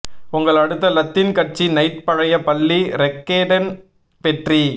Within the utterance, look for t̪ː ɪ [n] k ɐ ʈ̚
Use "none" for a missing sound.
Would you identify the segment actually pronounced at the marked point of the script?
n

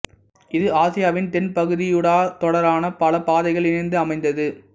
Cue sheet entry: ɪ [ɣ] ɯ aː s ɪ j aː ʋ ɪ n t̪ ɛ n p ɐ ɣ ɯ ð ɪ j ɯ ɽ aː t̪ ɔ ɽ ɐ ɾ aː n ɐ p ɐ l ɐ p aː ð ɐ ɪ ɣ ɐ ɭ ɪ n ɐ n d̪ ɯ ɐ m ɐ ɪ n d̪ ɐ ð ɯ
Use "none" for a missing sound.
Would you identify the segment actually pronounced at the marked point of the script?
ð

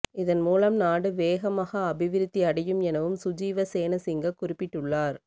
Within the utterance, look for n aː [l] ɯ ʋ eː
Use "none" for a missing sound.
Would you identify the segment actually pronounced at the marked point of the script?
ɽ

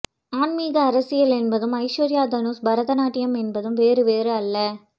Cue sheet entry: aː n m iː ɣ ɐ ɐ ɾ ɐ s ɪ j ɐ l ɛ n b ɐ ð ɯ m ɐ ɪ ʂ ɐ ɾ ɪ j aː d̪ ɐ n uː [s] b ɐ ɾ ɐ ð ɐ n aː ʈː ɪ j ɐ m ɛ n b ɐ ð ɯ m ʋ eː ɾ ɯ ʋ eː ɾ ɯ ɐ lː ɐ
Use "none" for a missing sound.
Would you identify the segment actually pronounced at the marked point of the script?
s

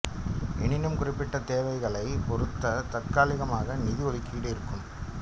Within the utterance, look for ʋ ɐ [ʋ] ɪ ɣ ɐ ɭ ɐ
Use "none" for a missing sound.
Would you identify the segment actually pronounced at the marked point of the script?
none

